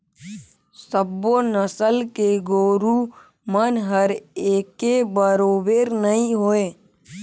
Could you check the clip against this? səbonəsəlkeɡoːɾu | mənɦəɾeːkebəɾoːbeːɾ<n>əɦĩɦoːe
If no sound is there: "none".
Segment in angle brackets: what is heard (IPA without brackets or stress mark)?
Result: n